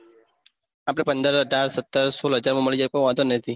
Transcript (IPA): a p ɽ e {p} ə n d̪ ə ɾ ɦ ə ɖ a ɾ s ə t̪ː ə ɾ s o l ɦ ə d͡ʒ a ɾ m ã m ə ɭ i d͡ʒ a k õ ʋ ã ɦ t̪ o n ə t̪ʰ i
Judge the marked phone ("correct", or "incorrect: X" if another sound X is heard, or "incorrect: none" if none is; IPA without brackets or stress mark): correct